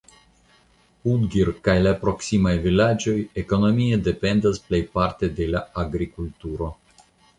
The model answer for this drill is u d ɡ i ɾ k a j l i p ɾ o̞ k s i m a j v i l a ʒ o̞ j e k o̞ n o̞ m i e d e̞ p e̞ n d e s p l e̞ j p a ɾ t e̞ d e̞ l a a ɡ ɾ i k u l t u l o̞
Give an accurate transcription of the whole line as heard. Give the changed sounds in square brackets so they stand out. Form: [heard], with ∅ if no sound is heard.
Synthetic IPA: u d ɡ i ɾ k a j l [a] p ɾ o̞ k s i m a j v i l a [d͡ʒ] o̞ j e k o̞ n o̞ m i e d e̞ p e̞ n d [a] s p l e̞ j p a ɾ t e̞ d e̞ l a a ɡ ɾ i k u l t u [ɾ] o̞

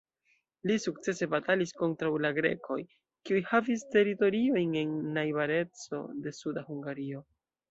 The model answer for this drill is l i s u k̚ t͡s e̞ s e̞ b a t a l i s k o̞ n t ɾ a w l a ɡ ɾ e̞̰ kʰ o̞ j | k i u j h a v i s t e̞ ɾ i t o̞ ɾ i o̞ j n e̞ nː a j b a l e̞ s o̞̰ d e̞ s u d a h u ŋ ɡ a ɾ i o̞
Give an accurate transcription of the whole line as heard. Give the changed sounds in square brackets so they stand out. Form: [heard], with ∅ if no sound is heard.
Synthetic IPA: l i s u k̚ t͡s e̞ s e̞ b a t a l i s k o̞ n t ɾ a w l a ɡ ɾ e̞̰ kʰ o̞ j | k i u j h a v i s t e̞ ɾ i t o̞ ɾ i o̞ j n e̞ nː a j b a [ɾ] e̞ [t͡s] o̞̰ d e̞ s u d a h u ŋ ɡ a ɾ i o̞

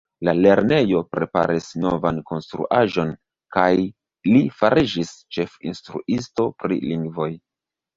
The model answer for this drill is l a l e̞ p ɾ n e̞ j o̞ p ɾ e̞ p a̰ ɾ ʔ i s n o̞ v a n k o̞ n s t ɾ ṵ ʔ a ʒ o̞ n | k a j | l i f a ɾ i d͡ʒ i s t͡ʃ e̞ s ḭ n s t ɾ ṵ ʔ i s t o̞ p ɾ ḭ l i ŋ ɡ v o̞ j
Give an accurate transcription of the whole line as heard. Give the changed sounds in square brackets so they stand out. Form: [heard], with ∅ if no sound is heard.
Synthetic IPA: l a l e̞ [∅] ɾ n e̞ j o̞ p ɾ e̞ p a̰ ɾ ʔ i s n o̞ v a n k o̞ n s t ɾ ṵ ʔ a ʒ o̞ n | k a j | l i f a ɾ i d͡ʒ i s t͡ʃ e̞ [f] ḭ n s t ɾ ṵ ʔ i s t o̞ p ɾ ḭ l i ŋ ɡ v o̞ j

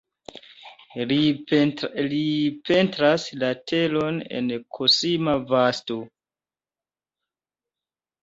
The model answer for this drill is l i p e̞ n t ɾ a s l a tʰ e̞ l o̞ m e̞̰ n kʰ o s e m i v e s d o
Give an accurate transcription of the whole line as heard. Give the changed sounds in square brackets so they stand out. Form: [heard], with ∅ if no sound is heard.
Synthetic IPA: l i p e̞ n t ɾ a s l a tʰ e̞ l o̞ [n] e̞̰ n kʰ o s [i] m [a] v [a] s [t] o

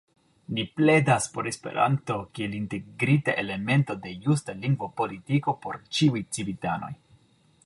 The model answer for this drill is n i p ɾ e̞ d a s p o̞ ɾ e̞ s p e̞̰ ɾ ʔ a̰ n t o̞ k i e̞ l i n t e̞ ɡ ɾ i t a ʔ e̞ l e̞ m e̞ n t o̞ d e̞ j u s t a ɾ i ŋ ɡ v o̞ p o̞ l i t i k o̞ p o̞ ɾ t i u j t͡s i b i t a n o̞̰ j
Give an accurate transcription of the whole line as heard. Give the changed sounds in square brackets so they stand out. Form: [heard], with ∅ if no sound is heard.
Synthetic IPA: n i p [l] e̞ d a s p o̞ ɾ e̞ s p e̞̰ ɾ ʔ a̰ n t o̞ k i e̞ l i n t e̞ ɡ ɾ i t a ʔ e̞ l e̞ m e̞ n t o̞ d e̞ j u s t a [l] i ŋ ɡ v o̞ p o̞ l i t i k o̞ p o̞ ɾ [t͡ʃ] i u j t͡s i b i t a n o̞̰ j

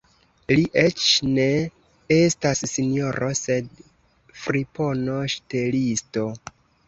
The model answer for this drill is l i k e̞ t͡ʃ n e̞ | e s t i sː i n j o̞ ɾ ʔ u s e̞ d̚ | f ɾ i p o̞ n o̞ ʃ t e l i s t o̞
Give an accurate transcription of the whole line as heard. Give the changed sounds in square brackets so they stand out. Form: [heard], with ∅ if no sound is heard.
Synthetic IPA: l i [ʔ] e̞ t͡ʃ n e̞ | e s t [a] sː i n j o̞ ɾ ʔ [o] s e̞ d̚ | f ɾ i p o̞ n o̞ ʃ t e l i s t o̞

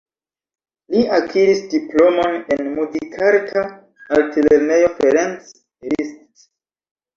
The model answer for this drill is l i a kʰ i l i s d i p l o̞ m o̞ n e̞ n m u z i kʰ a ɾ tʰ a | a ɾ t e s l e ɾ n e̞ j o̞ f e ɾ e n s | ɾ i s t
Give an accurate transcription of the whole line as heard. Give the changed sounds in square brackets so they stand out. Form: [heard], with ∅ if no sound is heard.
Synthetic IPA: l i a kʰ i [ɾ] i s d i p l o̞ m o̞ n e̞ n m u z i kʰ a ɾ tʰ a | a [l] t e [∅] l e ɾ n e̞ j o̞ f e ɾ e n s | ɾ i s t

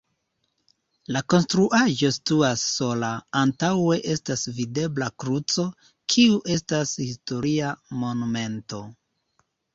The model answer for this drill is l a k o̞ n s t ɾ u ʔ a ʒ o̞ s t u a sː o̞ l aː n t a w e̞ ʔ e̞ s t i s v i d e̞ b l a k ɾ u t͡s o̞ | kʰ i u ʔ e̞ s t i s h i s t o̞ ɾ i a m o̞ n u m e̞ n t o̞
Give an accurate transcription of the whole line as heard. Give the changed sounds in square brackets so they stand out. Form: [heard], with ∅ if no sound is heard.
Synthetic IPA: l a k o̞ n s t ɾ u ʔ a ʒ o̞ s t u a sː o̞ l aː n t a w e̞ ʔ e̞ s t [a] s v i d e̞ b l a k ɾ u t͡s o̞ | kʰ i u ʔ e̞ s t [a] s h i s t o̞ ɾ i a m o̞ n u m e̞ n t o̞

